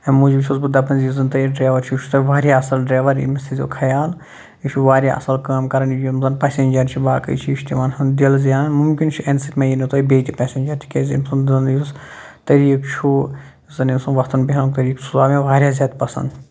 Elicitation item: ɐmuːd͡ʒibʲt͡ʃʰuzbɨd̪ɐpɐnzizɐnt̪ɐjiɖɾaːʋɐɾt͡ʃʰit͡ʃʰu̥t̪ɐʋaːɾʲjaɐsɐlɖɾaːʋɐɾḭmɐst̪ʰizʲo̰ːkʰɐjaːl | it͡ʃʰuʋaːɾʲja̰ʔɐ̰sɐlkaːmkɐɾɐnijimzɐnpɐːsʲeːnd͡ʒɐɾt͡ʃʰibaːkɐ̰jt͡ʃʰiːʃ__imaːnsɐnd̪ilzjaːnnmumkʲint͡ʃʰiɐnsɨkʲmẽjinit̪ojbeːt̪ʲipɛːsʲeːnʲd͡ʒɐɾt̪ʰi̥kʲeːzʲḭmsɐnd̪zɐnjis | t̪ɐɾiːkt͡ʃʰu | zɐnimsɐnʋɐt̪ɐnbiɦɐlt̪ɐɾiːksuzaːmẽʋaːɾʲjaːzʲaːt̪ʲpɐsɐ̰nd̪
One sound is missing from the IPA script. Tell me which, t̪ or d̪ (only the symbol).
t̪